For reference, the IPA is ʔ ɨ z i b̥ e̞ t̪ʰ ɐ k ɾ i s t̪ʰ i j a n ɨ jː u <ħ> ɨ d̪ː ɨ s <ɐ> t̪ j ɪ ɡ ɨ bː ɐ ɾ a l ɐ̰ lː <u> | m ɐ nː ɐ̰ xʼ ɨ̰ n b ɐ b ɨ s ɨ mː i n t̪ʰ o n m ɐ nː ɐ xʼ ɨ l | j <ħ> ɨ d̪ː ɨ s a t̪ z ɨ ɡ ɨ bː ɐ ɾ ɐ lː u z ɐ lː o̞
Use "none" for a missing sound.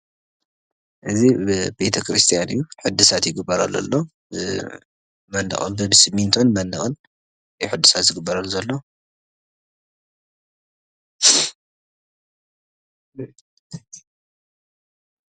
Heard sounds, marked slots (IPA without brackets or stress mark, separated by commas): ħ, a, o, ħ